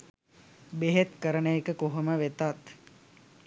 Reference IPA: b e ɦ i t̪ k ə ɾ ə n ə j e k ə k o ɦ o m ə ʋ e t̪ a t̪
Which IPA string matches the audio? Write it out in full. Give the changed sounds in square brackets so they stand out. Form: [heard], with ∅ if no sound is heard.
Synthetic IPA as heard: b e ɦ [e] t̪ k ə ɾ ə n ə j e k ə k o ɦ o m ə ʋ e t̪ a t̪